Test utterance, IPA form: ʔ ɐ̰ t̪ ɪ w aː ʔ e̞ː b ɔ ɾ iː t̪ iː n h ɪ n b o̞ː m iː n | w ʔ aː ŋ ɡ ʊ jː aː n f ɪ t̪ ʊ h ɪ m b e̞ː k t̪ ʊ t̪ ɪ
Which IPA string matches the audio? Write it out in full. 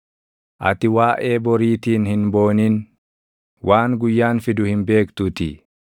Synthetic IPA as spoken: ʔ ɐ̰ t̪ ɪ w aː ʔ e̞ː b ɔ ɾ iː t̪ iː n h ɪ n b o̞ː n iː n | w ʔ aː ŋ ɡ ʊ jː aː n f ɪ d̪ ʊ h ɪ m b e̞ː k t̪ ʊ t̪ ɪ